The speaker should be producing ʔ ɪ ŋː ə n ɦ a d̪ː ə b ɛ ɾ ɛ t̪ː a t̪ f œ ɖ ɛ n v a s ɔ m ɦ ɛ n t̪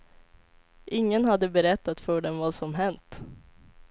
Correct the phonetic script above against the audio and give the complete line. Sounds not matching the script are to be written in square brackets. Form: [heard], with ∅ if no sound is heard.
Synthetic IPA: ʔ ɪ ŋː ə n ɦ a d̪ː ə b ɛ ɾ ɛ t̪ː a t̪ f œ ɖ ɛ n v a s ɔ m ɦ ɛ n t̪